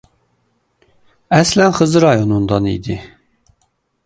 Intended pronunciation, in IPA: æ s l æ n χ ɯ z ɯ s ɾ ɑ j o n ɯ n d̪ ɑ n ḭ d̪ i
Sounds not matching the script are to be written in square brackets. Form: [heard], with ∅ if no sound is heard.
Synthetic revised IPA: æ s l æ n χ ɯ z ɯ [∅] ɾ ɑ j o n [u] n d̪ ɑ n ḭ d̪ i